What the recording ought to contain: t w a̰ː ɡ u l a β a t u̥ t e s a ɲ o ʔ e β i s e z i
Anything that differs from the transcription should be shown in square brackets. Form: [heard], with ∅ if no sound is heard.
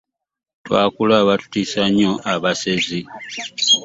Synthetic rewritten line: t w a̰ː [k] u l a β a t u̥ t [i] s a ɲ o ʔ [a] β [a] s e z i